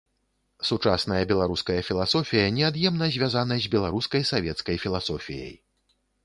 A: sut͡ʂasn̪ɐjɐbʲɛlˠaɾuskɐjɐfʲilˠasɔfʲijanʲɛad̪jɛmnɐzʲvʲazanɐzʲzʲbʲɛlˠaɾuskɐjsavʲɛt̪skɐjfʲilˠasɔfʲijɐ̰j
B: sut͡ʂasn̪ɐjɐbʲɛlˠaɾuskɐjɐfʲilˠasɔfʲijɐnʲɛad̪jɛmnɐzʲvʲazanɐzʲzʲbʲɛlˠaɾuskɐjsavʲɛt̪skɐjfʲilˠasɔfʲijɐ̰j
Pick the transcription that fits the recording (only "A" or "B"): B